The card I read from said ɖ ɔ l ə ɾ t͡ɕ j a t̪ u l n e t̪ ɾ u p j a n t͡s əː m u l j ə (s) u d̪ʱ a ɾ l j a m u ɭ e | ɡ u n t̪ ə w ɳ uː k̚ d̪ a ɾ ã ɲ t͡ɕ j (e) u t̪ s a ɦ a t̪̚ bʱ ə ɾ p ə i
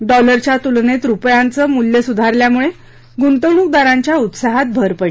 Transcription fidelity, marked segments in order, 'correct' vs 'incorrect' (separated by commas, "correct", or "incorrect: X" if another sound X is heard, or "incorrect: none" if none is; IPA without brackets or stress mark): correct, incorrect: a